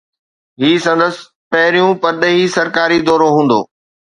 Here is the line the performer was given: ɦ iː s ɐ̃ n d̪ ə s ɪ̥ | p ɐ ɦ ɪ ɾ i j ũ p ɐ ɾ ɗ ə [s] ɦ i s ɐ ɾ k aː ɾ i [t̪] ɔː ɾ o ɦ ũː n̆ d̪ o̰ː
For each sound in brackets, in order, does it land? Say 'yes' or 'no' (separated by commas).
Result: no, no